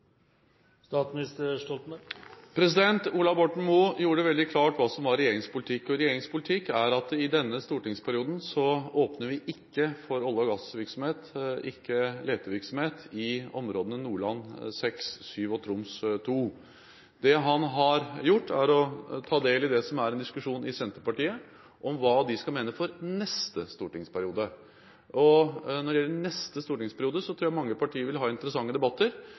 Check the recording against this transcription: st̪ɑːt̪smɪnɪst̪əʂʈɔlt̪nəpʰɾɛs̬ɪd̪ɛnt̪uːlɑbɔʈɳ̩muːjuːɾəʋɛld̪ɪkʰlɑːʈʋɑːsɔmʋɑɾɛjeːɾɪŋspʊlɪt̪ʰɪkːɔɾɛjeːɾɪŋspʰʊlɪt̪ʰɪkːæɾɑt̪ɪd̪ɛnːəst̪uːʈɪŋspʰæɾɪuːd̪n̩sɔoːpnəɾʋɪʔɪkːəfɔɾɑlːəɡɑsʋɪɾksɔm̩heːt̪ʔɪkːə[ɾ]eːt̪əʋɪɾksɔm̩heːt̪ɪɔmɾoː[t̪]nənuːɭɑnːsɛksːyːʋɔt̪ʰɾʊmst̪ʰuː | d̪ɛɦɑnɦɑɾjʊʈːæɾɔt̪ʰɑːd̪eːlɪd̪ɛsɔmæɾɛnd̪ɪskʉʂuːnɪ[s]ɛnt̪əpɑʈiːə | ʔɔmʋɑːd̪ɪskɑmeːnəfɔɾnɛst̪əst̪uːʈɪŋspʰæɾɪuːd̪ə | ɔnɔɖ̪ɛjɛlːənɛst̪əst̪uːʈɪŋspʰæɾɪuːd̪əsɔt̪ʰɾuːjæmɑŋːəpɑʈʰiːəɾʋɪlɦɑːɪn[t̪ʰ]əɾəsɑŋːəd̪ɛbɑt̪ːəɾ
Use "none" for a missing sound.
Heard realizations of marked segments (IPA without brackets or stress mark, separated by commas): l, d̪, s, t̪